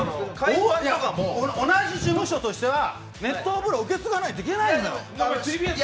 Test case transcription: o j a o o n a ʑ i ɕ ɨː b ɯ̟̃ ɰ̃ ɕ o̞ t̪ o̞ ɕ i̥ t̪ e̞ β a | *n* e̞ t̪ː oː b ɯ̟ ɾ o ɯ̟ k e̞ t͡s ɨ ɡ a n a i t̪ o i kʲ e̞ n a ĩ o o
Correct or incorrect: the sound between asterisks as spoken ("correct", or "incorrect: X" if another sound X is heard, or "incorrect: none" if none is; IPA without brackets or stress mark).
correct